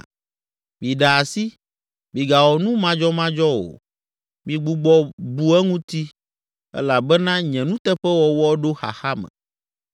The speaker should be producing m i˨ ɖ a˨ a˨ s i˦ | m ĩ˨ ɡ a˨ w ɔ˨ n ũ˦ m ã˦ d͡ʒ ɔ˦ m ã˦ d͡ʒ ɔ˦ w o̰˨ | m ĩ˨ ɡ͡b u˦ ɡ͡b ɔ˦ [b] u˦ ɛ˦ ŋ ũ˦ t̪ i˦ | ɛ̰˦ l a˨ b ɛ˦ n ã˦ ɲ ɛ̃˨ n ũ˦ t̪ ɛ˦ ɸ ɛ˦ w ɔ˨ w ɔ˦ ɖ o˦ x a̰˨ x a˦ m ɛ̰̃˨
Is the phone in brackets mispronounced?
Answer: no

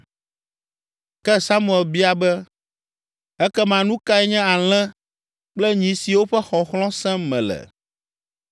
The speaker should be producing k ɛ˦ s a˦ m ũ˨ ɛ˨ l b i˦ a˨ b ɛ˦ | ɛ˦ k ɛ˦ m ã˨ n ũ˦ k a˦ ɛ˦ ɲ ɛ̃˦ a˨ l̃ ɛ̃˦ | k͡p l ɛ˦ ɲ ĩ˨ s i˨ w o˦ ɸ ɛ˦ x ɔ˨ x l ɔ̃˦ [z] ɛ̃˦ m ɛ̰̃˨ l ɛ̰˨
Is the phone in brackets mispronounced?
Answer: yes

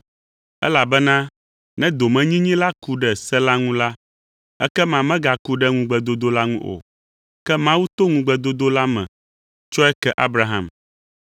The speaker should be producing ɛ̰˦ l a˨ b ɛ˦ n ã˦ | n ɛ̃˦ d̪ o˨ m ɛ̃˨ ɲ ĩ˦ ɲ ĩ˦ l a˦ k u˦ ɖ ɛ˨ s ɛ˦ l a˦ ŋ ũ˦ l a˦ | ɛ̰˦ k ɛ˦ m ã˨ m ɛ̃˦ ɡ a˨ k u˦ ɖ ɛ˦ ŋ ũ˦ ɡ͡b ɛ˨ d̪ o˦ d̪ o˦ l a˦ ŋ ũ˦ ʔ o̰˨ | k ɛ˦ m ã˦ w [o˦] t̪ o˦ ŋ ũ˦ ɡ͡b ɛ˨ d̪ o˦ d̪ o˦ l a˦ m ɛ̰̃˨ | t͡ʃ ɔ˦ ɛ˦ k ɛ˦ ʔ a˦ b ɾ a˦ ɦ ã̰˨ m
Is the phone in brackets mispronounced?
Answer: yes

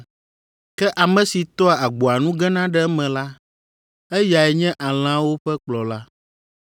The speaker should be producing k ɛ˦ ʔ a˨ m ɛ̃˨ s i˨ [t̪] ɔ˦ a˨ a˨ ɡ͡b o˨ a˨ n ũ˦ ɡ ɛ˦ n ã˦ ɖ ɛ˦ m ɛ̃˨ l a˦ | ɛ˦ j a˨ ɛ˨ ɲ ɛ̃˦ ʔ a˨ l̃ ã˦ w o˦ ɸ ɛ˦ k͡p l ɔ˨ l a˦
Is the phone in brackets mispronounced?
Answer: no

